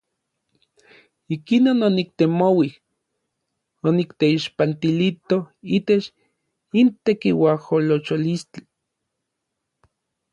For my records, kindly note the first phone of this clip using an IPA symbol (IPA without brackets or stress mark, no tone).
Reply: i